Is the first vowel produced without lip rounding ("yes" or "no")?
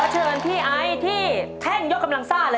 yes